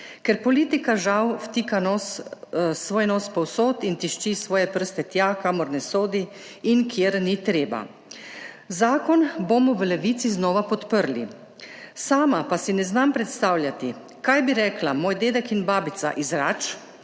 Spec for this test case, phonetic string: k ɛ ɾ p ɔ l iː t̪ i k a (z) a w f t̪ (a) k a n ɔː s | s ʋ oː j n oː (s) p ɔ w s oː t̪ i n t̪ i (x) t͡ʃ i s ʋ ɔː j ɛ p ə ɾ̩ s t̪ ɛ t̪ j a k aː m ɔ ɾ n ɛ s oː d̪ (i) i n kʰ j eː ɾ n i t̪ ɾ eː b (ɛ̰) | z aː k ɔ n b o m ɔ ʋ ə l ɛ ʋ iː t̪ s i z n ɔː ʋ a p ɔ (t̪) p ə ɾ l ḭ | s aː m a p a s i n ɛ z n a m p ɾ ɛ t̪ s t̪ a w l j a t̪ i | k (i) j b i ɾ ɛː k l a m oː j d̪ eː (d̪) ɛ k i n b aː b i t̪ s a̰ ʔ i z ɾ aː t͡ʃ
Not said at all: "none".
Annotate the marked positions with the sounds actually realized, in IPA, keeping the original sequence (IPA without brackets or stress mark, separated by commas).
ʒ, i, s, ʃ, i, a̰, t̪, a, d̪